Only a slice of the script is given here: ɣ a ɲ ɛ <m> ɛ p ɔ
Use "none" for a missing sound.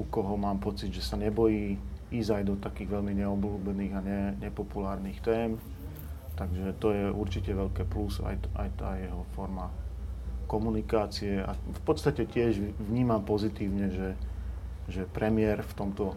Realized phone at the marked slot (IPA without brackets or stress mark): ɲ